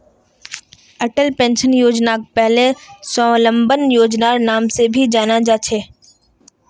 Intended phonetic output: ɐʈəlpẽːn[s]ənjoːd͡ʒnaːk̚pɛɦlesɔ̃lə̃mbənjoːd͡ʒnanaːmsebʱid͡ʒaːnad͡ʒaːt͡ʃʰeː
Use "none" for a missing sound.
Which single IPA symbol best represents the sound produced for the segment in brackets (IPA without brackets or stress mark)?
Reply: ʃ